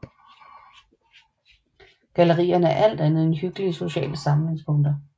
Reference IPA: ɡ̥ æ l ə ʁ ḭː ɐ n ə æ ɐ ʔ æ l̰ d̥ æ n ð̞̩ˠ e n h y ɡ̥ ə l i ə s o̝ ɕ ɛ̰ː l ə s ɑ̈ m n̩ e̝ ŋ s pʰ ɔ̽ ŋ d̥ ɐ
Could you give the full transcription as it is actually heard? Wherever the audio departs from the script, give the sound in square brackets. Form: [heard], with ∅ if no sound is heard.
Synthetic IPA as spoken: ɡ̥ æ l ə ʁ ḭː ɐ n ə æ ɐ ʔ æ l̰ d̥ æ n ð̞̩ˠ e n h y ɡ̥ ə l i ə s o̝ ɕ ɛ̰ː l ə s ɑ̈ m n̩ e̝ ŋ s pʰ ɔ̽ ŋ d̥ ɐ